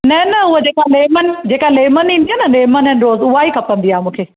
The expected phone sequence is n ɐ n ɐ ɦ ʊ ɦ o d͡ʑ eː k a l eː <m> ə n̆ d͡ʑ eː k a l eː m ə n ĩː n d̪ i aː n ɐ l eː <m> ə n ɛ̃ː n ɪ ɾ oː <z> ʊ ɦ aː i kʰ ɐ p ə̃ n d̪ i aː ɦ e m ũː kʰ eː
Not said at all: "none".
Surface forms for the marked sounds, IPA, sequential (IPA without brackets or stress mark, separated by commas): m, m, z